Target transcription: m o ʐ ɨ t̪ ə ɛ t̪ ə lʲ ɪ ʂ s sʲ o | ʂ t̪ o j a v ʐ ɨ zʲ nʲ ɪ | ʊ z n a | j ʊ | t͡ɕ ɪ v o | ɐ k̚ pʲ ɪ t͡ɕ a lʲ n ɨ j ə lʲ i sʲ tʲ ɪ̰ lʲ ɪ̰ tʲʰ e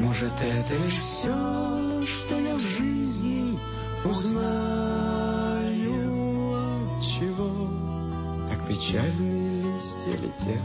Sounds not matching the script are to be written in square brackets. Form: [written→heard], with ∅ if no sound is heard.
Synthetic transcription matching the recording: m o ʐ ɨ t̪ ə ɛ t̪ ə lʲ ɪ ʂ [s→f] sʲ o | ʂ t̪ o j a v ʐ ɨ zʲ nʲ ɪ | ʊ z n a | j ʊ | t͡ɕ ɪ v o | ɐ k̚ pʲ ɪ t͡ɕ a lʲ n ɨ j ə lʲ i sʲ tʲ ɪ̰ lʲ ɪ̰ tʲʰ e